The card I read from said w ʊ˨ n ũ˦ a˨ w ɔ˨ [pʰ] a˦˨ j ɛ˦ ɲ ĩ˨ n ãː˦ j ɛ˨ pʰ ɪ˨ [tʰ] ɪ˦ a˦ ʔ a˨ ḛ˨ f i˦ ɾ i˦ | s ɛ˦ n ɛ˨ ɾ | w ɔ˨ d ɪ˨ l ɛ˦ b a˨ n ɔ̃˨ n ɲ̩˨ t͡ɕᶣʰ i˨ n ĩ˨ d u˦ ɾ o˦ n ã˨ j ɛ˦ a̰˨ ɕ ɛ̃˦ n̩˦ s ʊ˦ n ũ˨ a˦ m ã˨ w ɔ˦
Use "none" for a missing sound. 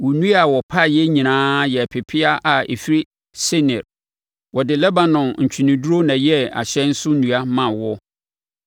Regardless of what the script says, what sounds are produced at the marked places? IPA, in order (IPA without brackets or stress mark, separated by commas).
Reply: pʰ, pʰ